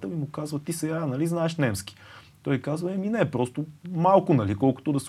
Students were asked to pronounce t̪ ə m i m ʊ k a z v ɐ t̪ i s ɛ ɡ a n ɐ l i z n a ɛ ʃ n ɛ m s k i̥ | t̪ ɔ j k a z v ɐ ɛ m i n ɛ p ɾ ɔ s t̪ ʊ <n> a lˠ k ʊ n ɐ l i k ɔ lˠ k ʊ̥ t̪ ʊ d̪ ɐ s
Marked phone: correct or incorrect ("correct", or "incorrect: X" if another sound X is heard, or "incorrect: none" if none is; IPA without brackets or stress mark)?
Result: incorrect: m